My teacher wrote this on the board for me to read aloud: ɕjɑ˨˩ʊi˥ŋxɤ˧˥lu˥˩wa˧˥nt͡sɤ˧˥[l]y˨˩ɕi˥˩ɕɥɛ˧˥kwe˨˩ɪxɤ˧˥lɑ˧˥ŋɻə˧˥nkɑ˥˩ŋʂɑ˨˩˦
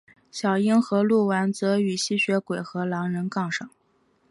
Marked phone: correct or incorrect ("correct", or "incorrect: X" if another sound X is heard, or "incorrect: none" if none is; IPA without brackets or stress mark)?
incorrect: none